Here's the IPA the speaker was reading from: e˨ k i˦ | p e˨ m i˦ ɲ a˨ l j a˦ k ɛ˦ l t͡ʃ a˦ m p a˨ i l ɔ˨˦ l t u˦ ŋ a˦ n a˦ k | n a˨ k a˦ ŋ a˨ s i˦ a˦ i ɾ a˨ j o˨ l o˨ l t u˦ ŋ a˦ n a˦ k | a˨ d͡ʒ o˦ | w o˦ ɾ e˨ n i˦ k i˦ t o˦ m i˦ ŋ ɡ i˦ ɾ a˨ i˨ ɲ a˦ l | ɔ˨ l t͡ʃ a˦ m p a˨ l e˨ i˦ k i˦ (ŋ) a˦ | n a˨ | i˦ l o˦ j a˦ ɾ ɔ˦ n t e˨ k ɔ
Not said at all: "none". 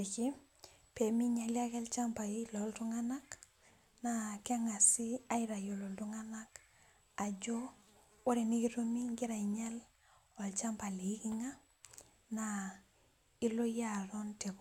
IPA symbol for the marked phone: ŋ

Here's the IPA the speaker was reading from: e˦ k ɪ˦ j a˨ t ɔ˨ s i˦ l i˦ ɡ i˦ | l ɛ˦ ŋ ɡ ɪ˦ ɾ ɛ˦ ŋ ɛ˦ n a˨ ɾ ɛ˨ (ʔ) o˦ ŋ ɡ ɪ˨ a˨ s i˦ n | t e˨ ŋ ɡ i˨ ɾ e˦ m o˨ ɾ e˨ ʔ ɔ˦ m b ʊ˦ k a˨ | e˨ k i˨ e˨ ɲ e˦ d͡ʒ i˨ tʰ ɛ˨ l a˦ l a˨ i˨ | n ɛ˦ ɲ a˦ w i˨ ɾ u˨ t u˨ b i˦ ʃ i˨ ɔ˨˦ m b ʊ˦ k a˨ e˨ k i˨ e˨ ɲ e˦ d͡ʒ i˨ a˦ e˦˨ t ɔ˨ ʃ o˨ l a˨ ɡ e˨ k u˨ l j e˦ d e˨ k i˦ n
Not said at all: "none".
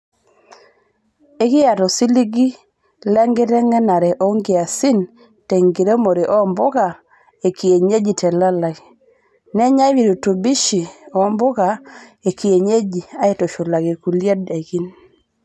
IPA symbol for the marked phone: ʔ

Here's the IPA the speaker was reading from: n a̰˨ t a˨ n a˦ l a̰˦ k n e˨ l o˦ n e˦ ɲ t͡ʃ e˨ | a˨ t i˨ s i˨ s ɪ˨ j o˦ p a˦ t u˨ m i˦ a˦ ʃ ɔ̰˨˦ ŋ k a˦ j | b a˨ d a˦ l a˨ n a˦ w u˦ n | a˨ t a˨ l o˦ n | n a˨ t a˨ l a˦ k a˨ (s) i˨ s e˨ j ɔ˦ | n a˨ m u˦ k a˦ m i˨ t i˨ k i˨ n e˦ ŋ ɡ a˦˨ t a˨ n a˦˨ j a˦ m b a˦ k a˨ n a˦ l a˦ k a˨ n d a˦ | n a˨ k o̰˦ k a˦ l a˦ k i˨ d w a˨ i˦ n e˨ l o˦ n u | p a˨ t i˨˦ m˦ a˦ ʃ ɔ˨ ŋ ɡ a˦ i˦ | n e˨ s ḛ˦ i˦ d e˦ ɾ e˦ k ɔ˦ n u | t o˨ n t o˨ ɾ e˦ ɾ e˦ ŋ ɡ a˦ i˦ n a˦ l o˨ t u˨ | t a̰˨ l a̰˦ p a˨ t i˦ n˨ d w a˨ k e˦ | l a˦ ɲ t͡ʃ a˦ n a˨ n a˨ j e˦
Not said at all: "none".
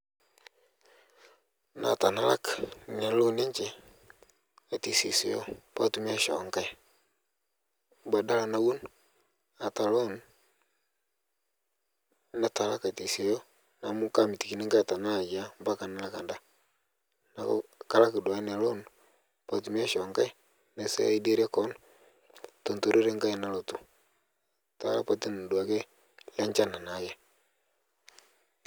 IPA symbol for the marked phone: t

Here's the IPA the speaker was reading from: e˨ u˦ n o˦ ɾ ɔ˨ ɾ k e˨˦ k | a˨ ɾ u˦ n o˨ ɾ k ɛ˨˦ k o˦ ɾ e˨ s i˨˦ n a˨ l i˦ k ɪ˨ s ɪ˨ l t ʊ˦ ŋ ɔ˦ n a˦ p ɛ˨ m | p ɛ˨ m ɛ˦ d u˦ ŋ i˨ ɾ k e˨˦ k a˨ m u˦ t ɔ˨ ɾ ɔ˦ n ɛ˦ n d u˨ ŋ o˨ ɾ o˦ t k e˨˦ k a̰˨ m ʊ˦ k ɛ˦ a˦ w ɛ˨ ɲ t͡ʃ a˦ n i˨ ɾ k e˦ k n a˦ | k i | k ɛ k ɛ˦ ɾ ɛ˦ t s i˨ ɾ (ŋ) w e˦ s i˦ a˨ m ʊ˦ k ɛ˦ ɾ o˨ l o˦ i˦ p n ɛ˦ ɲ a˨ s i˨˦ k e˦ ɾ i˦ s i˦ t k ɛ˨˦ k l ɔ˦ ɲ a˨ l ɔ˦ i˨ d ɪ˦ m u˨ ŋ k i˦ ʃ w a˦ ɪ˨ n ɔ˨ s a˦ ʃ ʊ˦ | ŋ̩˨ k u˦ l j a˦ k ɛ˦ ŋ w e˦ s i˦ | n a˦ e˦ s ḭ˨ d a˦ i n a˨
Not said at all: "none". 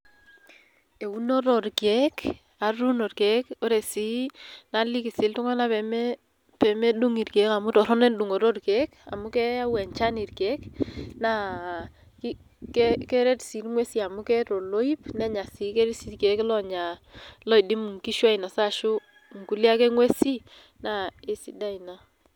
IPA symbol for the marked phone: ŋ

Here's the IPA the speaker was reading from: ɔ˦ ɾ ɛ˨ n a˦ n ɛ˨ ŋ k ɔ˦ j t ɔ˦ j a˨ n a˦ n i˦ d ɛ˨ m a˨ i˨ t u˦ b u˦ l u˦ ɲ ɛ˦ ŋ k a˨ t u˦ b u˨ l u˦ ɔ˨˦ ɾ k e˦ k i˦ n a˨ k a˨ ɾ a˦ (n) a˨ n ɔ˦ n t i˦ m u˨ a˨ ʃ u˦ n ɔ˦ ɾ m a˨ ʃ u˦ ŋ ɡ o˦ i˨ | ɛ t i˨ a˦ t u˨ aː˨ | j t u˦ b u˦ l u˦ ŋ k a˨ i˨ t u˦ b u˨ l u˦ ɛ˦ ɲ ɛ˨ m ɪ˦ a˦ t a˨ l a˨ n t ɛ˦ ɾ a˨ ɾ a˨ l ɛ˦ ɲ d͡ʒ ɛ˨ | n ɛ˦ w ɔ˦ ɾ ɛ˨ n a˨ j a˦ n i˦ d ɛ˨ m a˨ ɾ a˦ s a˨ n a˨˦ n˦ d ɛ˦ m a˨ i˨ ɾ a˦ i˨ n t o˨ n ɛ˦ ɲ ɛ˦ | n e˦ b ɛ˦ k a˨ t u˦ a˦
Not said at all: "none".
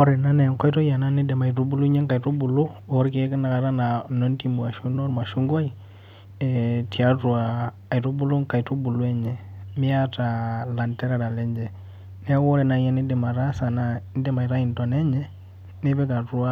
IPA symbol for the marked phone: n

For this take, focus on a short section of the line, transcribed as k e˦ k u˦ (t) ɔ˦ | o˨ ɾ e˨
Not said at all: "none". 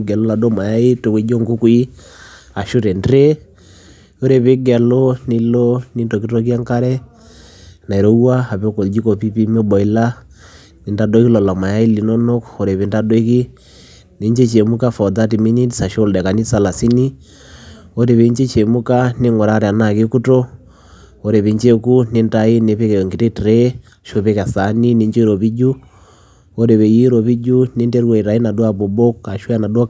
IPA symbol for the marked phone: t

